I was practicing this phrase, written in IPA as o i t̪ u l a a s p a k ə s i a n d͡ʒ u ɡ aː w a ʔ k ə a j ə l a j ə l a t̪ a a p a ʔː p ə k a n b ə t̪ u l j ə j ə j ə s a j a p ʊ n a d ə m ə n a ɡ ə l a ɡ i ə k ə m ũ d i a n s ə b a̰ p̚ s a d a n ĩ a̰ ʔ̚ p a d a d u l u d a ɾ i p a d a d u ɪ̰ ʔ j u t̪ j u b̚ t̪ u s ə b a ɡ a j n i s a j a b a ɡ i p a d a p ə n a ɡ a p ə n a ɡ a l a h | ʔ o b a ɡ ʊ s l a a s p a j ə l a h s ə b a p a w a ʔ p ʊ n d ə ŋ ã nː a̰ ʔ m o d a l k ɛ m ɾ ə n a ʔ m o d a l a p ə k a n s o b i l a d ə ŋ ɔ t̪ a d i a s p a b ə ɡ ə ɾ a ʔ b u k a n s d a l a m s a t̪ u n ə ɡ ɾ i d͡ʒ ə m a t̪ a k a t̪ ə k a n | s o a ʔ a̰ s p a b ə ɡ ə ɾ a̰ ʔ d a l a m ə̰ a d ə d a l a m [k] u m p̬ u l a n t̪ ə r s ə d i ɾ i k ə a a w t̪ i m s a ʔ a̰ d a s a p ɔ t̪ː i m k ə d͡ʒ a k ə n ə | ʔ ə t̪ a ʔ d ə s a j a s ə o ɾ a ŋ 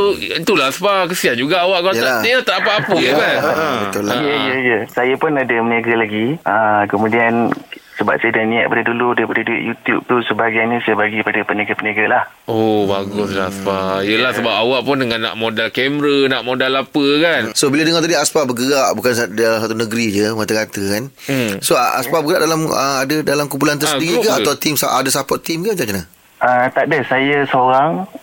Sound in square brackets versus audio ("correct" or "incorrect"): correct